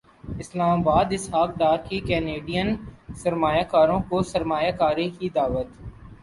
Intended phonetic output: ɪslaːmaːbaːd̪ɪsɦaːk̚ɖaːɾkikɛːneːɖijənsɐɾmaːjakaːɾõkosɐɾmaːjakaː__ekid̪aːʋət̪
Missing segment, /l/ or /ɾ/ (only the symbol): ɾ